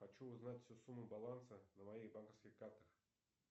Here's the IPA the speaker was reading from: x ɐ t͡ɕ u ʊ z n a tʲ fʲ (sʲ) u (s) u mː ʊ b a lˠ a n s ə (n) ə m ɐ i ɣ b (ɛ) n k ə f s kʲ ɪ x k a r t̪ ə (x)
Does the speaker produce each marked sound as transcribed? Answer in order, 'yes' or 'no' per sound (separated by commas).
yes, yes, yes, no, yes